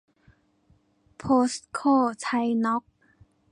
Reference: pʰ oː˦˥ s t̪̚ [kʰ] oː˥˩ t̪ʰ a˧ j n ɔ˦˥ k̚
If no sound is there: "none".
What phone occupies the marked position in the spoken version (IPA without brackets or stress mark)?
kʰ